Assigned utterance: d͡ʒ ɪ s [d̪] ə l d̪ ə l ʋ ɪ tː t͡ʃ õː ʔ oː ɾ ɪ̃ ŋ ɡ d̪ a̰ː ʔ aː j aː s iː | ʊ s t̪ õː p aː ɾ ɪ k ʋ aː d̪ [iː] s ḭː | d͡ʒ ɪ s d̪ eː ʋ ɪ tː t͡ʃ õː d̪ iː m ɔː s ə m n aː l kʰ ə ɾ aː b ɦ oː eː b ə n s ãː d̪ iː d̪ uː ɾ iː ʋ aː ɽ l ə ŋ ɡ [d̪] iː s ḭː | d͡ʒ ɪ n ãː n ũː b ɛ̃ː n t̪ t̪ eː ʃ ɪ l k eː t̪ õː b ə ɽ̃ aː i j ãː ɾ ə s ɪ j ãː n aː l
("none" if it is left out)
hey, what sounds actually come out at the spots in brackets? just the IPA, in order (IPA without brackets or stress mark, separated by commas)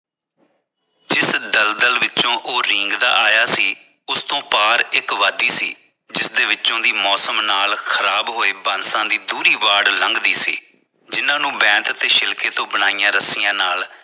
d̪, iː, d̪